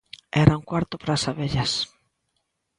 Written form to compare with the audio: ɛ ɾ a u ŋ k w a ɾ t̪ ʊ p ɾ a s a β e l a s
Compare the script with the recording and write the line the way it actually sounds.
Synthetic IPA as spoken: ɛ ɾ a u ŋ k w a ɾ t̪ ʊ p ɾ a s a β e ʎ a s